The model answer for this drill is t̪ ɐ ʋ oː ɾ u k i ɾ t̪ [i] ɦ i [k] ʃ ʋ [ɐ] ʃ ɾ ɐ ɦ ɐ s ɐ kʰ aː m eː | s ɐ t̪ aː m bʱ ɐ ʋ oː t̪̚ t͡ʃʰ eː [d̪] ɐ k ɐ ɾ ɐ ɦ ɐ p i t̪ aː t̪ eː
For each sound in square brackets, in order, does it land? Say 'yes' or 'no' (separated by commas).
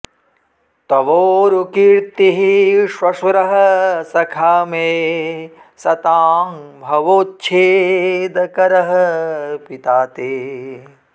yes, no, yes, yes